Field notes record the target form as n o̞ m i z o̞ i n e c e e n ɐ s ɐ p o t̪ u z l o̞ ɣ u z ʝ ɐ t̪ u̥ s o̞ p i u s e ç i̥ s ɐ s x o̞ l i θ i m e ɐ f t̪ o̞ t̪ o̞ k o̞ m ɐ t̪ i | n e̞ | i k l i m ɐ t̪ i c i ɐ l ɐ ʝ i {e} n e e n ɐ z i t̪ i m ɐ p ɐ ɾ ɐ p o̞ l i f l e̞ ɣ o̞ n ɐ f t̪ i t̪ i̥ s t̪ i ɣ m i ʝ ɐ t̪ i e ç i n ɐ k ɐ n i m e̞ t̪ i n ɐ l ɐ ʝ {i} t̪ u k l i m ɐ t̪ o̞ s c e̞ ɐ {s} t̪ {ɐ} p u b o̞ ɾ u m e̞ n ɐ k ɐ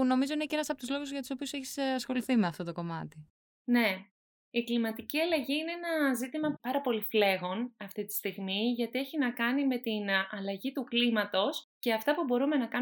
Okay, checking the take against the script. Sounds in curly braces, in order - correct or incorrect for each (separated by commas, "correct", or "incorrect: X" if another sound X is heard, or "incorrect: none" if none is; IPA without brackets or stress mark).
incorrect: i, correct, incorrect: f, correct